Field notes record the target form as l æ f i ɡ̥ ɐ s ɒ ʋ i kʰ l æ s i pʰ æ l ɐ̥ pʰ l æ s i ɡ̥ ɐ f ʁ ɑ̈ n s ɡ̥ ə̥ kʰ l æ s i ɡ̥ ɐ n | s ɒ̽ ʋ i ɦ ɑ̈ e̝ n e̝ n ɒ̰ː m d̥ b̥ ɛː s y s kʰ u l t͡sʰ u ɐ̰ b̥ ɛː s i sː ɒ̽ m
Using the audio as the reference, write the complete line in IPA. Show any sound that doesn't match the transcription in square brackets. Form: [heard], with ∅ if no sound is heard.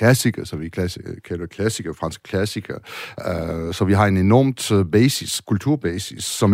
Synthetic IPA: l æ [s] i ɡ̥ ɐ s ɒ ʋ i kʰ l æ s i [kʰ] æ l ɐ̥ [kʰ] l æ s i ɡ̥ ɐ f ʁ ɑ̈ n s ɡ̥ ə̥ kʰ l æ s i ɡ̥ ɐ [∅] | s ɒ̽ ʋ i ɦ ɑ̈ e̝ n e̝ n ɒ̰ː m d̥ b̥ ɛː s [i] s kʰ u l t͡sʰ u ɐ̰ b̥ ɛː s i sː ɒ̽ m